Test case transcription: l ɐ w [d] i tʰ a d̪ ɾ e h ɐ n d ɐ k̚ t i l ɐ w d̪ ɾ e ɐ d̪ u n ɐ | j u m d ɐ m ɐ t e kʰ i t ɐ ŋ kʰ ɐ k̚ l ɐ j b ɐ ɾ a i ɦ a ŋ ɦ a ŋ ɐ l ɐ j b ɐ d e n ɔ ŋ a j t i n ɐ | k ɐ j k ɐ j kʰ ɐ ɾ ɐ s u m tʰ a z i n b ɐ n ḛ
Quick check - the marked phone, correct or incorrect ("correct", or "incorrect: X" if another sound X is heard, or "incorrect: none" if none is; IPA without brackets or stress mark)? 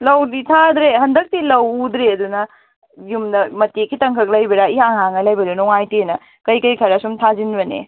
correct